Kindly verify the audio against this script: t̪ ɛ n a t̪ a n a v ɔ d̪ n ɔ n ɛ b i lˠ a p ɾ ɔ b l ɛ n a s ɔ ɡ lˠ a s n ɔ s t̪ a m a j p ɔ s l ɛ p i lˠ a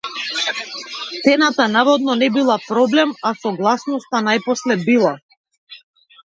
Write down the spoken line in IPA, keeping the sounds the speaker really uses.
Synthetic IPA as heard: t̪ ɛ n a t̪ a n a v ɔ d̪ n ɔ n ɛ b i lˠ a p ɾ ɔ b l ɛ m a s ɔ ɡ lˠ a s n ɔ s t̪ a n a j p ɔ s l ɛ b i lˠ a